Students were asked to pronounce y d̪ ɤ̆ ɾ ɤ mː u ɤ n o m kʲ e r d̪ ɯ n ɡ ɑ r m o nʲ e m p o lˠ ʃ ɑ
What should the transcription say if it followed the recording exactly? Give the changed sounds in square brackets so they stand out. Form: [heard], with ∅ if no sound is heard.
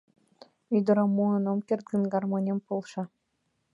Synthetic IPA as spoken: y d̪ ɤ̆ ɾ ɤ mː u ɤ n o m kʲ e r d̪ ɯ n ɡ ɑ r m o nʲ e m p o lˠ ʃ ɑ